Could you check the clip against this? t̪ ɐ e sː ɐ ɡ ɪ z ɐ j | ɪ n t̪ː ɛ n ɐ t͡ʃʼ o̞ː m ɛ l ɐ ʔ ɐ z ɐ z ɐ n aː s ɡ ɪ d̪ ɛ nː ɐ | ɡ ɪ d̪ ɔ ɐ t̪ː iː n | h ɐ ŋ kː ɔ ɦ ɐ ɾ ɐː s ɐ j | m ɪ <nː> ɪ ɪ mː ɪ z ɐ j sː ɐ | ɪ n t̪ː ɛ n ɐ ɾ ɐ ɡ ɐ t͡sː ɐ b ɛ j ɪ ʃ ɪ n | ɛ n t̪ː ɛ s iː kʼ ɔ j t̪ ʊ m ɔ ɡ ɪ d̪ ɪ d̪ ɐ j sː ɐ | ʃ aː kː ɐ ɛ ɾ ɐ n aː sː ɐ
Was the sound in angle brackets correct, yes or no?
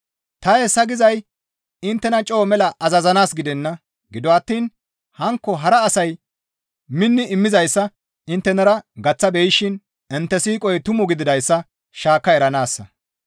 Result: yes